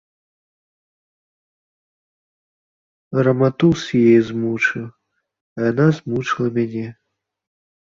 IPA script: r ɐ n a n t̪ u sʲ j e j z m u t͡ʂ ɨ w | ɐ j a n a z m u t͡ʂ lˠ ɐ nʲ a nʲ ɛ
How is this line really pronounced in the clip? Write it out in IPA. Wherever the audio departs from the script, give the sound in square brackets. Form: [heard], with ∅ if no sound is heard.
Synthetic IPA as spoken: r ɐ [m] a [∅] t̪ u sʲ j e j z m u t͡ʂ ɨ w | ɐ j a n a z m u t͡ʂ lˠ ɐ [mʲ] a nʲ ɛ